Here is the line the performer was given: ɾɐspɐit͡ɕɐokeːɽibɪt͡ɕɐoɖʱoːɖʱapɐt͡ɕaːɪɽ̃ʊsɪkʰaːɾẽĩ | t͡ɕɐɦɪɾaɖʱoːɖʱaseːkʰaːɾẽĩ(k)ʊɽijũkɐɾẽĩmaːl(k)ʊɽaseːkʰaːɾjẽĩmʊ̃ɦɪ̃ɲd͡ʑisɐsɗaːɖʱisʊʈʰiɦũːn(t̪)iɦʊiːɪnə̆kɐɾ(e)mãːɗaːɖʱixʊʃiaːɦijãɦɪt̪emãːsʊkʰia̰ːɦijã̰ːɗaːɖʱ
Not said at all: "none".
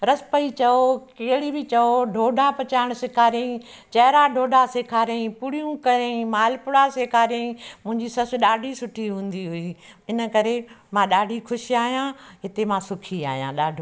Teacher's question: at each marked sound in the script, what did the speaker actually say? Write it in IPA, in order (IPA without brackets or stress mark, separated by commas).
p, p, d̪, e